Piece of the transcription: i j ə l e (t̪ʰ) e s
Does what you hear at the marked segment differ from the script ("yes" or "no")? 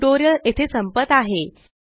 no